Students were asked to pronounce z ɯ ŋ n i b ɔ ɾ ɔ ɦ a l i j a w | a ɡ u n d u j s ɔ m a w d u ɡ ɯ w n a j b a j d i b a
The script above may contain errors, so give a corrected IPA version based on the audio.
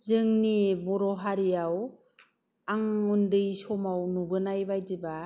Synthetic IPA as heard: z ɯ ŋ n i b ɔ ɾ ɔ ɦ a ɾ i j a w | a ŋ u n d ɯ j s ɔ m a w n u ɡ ɯ n a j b a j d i b a